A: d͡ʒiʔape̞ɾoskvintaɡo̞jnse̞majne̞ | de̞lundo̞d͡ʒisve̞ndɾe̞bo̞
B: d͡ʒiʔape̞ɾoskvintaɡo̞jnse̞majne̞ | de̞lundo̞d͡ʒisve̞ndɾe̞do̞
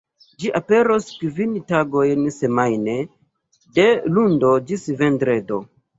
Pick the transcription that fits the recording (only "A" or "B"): B